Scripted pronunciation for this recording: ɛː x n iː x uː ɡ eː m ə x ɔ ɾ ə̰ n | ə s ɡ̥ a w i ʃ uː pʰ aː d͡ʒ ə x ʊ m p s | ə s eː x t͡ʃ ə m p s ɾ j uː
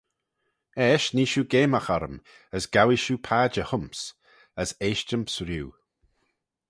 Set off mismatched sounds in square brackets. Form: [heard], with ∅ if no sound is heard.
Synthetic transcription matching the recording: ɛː [ʃ] n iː [ʃ] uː ɡ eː m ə x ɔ ɾ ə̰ [m] | ə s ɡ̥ a w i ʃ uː pʰ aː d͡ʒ ə [h] ʊ m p s | ə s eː [ʃ] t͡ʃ ə m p s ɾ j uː